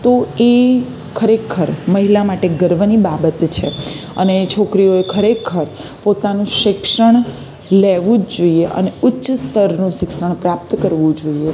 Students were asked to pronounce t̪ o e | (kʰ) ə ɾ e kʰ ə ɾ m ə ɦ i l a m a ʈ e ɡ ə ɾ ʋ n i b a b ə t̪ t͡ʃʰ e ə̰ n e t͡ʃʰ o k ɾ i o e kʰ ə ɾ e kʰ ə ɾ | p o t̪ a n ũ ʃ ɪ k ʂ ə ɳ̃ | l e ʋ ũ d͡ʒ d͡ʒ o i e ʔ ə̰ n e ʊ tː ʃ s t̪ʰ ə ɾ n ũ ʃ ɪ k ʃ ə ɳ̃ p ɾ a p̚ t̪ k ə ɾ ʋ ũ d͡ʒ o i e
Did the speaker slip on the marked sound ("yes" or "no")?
no